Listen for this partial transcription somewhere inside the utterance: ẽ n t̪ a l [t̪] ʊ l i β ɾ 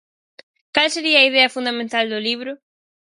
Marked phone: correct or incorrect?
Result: incorrect